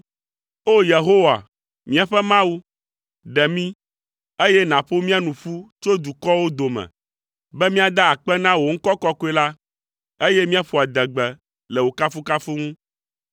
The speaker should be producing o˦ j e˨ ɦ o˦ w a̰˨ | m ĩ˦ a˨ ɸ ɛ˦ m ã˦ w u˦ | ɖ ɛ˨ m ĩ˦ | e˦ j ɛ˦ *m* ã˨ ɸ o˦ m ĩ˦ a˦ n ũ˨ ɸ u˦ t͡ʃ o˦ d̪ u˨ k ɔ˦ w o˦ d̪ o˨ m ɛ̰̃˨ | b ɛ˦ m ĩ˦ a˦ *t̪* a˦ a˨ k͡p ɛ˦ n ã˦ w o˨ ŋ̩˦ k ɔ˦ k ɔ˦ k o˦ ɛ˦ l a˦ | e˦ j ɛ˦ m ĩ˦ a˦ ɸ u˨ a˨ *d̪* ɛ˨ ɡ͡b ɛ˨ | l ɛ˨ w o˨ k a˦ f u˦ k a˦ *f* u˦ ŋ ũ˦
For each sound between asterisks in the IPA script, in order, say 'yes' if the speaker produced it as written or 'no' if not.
no, no, yes, yes

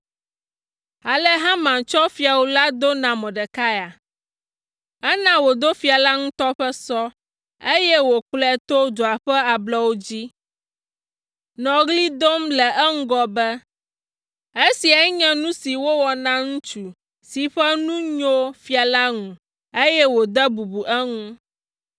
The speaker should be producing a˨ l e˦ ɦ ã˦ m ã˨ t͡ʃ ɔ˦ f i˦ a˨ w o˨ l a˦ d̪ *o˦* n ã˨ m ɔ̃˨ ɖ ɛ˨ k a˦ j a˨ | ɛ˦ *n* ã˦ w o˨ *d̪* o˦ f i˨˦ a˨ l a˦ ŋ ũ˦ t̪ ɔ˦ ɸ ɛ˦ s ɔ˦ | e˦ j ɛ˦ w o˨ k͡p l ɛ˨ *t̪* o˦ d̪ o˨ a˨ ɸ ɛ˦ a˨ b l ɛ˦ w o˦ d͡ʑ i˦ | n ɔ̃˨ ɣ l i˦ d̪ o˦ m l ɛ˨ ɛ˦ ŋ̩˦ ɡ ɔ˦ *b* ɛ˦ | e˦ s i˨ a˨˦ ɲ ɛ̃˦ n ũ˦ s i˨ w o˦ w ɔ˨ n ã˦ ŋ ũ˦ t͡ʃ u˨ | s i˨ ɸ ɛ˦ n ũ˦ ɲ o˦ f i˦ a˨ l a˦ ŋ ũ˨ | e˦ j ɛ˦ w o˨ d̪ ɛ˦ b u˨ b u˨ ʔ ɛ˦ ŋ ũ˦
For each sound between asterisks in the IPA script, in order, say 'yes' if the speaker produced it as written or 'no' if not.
yes, yes, yes, yes, yes

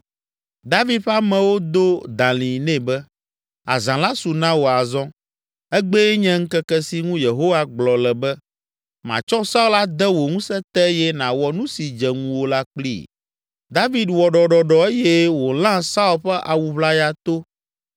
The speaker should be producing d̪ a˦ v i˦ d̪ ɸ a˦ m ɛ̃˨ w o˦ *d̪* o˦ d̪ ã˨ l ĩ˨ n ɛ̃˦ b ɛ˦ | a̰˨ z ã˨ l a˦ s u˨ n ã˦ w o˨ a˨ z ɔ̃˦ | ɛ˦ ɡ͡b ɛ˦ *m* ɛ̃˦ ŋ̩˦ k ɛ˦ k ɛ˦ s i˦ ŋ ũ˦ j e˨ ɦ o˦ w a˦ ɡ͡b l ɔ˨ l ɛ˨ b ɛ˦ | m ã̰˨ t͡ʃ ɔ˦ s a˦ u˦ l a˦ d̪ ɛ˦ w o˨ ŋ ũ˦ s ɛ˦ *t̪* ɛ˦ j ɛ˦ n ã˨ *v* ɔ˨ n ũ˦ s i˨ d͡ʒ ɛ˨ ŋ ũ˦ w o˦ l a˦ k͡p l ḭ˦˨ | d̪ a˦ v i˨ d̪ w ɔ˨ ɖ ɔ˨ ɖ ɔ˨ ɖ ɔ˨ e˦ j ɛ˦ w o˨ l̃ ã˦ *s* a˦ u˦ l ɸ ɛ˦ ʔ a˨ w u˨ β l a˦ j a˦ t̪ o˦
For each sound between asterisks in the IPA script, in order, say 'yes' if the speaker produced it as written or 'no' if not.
yes, no, yes, no, yes

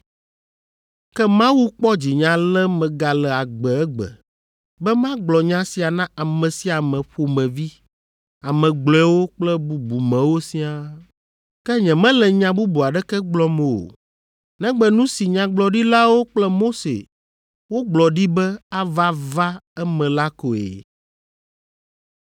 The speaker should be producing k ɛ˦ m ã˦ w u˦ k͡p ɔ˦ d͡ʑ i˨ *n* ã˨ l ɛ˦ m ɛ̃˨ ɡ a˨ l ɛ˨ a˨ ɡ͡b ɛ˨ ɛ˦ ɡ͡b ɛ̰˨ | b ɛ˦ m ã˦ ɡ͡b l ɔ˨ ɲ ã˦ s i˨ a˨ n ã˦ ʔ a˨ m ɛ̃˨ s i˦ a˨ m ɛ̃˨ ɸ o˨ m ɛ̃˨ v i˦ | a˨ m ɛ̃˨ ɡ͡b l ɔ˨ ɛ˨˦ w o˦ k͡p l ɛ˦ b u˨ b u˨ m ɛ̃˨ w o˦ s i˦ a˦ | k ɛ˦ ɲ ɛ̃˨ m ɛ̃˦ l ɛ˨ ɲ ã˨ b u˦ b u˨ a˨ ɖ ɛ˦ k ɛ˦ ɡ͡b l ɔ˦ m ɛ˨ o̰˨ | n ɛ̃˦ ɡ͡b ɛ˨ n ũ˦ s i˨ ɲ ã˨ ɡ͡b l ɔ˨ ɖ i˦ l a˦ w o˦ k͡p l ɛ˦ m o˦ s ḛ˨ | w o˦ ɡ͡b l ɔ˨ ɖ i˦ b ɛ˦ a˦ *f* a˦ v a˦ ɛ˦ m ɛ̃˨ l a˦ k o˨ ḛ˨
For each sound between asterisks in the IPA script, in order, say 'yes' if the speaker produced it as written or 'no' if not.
no, no

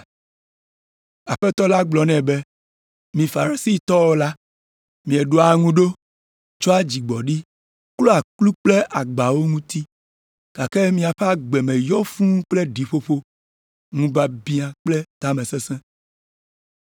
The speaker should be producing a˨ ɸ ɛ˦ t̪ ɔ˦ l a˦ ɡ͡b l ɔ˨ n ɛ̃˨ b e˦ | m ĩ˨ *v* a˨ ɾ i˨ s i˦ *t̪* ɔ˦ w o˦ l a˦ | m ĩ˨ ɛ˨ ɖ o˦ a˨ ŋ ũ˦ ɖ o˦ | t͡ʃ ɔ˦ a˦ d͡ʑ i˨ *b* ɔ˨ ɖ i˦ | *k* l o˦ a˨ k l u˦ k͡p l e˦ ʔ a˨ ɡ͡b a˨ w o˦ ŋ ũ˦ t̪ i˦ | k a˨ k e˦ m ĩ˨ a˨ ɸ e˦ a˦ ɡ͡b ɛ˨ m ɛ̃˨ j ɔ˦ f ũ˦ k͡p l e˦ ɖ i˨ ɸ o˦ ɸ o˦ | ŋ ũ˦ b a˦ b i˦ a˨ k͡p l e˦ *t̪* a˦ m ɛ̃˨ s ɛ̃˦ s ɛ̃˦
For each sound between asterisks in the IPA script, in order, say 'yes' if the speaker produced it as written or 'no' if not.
no, yes, no, yes, yes

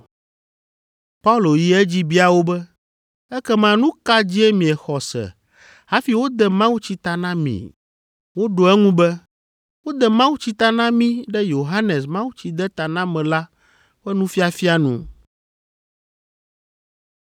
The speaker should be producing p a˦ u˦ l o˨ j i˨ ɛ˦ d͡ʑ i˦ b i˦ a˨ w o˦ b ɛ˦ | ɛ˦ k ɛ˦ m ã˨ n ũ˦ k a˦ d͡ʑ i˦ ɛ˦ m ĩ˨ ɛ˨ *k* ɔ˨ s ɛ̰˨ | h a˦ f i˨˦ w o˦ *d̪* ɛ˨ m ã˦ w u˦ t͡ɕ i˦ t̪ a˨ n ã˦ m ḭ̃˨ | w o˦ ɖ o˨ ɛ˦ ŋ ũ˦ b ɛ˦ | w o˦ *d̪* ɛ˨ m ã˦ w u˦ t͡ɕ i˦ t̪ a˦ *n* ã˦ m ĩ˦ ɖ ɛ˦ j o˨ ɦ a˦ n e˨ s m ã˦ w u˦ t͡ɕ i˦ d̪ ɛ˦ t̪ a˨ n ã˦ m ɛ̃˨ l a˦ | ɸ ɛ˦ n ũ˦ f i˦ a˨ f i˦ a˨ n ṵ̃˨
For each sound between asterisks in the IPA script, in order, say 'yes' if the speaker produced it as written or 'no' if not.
no, yes, yes, yes

